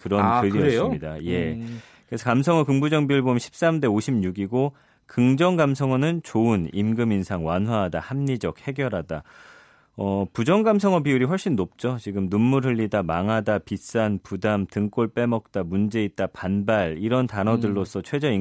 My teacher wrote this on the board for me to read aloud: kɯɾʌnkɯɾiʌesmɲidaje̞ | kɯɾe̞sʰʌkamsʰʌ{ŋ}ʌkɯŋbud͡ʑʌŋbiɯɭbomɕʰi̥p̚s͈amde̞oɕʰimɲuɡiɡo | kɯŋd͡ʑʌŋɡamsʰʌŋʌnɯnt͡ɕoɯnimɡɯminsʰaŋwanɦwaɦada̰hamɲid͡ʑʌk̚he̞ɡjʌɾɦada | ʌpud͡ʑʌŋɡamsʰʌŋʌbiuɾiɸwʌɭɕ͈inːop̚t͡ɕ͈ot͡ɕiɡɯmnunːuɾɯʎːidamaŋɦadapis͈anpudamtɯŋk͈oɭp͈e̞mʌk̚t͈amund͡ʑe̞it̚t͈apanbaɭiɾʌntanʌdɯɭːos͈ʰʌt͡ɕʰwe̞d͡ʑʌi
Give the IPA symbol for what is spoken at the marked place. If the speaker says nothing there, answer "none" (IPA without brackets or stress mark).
ŋ